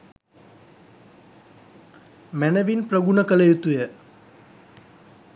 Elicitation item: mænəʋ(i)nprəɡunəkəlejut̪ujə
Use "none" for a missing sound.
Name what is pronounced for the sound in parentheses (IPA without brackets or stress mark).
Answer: i